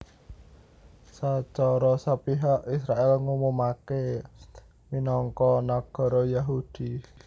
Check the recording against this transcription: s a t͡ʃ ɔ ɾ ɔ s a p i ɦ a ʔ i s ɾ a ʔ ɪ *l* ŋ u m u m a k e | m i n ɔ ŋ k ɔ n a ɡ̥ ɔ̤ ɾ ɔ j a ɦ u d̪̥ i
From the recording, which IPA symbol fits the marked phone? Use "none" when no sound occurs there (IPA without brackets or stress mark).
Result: l